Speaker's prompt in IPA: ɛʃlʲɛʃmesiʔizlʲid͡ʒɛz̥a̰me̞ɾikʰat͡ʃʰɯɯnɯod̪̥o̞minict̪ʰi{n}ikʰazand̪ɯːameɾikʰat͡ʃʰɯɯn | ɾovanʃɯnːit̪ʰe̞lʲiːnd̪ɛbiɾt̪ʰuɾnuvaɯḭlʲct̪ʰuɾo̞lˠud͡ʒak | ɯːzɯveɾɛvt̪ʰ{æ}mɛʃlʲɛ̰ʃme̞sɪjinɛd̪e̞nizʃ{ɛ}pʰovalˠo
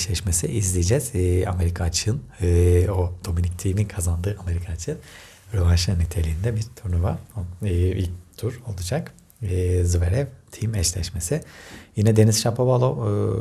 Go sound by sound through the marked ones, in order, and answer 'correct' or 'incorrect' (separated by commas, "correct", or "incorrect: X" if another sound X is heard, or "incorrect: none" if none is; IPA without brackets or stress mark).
incorrect: m, incorrect: i, incorrect: a